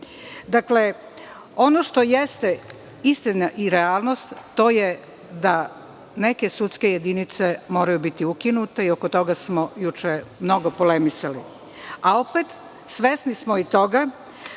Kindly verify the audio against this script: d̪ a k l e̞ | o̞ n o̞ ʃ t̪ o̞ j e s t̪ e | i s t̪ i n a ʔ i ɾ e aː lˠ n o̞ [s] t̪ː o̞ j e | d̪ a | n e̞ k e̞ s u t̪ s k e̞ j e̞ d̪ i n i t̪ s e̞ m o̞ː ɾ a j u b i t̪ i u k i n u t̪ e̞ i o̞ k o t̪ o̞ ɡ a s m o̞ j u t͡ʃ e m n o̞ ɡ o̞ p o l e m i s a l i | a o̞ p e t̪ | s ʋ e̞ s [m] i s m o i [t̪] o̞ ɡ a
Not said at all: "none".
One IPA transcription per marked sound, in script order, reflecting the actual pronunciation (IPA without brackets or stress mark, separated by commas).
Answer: s, n, t̪